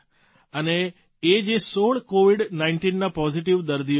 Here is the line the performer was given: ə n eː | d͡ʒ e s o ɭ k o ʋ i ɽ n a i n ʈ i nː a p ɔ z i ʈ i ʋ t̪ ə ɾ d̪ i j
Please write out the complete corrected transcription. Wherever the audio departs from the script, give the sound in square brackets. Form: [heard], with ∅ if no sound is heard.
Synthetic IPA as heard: ə n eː | d͡ʒ e s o ɭ k o ʋ i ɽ n a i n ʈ i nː a p ɔ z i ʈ i ʋ [d̪] ə ɾ d̪ i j